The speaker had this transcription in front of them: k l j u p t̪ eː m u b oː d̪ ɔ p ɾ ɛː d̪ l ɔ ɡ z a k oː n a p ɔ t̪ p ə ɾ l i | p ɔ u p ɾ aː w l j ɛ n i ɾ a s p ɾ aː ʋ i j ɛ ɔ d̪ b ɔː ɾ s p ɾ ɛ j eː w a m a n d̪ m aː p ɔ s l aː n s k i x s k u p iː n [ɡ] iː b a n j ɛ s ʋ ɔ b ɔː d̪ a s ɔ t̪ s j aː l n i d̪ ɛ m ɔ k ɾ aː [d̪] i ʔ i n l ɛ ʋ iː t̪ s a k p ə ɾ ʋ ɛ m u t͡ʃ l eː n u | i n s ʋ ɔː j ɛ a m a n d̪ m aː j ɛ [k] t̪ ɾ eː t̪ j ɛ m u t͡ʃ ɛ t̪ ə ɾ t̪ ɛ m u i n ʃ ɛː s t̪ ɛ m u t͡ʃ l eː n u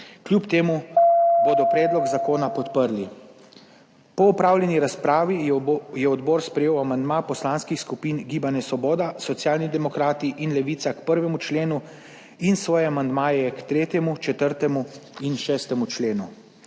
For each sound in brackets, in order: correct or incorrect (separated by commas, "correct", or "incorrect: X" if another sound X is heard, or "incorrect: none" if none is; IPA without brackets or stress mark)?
correct, incorrect: t̪, correct